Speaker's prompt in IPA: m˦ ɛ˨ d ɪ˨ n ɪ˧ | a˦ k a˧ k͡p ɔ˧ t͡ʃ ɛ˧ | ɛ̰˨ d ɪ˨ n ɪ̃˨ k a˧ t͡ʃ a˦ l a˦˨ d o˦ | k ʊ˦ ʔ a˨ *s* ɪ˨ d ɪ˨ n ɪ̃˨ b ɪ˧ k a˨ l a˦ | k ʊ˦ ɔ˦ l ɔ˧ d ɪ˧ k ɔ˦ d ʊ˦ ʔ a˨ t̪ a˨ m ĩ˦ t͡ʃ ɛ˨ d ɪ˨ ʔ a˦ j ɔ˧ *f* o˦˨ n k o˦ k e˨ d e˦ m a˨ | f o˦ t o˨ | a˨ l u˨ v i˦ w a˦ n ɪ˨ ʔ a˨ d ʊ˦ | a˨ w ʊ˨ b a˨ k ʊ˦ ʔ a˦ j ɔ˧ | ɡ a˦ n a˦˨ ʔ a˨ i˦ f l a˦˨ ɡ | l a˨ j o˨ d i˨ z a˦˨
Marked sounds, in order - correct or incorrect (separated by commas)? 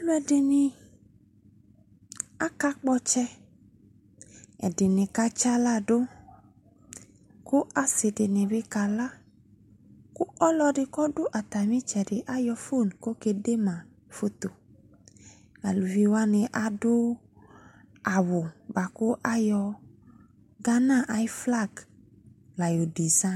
correct, correct